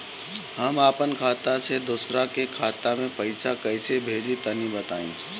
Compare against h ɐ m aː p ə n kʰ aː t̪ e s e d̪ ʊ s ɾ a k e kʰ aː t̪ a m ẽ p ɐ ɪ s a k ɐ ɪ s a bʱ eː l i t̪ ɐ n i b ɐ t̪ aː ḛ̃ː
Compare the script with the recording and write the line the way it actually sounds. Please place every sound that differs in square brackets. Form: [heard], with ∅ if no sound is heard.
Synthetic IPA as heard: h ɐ m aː p ə n kʰ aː t̪ [a] s e d̪ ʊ s ɾ a k e kʰ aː t̪ a m ẽ p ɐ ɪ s a k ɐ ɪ s [e] bʱ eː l i t̪ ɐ n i b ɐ t̪ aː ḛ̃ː